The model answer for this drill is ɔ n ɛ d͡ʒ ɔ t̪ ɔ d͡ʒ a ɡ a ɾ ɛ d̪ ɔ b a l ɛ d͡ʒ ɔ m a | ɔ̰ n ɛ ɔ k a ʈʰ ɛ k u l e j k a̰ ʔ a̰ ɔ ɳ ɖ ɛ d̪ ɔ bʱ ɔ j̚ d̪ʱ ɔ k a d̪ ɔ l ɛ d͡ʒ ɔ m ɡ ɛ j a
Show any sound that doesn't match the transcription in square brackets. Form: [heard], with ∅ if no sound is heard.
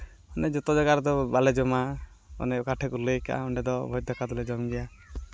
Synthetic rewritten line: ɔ n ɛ d͡ʒ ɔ t̪ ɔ d͡ʒ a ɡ a ɾ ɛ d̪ ɔ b a l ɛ d͡ʒ ɔ m a | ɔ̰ n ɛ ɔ k a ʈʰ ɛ k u l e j k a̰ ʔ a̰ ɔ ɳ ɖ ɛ d̪ ɔ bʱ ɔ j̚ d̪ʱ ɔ k a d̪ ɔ l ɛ d͡ʒ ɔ m ɡ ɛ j a